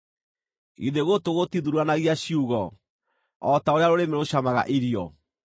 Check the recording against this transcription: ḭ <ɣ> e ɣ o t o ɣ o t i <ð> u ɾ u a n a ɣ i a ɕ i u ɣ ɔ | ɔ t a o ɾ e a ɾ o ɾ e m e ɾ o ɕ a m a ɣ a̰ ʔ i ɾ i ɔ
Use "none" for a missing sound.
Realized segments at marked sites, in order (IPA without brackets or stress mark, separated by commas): ð, ð